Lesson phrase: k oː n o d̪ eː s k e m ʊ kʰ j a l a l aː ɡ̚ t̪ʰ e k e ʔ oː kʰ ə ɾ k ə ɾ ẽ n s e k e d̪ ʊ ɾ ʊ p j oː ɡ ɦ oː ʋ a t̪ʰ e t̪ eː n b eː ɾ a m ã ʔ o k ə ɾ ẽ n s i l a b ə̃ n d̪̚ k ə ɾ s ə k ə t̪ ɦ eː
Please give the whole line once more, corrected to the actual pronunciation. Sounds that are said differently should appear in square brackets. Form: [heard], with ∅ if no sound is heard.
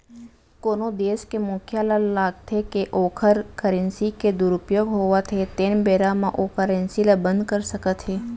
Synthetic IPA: k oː n o d̪ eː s k e m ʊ kʰ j a l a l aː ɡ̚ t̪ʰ e k e ʔ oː kʰ ə ɾ k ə ɾ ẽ n s [i] k e d̪ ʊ ɾ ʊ p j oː ɡ ɦ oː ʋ a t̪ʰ e t̪ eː n b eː ɾ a m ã ʔ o k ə ɾ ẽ n s i l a b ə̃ n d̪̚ k ə ɾ s ə k ə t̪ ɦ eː